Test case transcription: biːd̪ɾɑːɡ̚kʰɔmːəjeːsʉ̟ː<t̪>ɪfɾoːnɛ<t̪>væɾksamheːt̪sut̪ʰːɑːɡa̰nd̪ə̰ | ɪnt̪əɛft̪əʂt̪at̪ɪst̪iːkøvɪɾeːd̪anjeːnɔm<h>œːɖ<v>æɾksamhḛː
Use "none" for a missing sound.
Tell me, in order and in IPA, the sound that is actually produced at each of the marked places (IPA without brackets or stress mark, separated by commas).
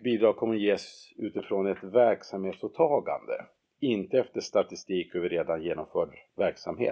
t̪, t̪, f, v